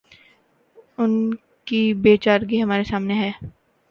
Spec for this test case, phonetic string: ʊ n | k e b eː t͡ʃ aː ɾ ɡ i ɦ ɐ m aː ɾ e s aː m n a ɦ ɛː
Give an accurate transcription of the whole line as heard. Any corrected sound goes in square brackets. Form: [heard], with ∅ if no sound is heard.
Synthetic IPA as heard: ʊ n | k [i] b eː t͡ʃ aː ɾ ɡ i ɦ ɐ m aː ɾ e s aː m n [e] ɦ ɛː

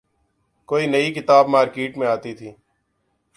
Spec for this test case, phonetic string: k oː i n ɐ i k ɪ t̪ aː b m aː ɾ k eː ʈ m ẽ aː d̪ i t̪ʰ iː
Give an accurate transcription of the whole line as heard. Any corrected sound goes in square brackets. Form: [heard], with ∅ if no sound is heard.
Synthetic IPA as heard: k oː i n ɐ i k ɪ t̪ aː b m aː ɾ k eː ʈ m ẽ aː [t̪] i t̪ʰ iː

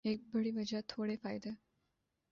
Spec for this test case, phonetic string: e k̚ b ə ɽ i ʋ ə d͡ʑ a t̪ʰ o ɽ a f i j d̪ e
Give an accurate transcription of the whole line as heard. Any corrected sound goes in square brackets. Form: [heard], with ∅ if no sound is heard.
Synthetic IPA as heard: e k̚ b ə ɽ i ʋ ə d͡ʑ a t̪ʰ o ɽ [e] f [a] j d̪ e

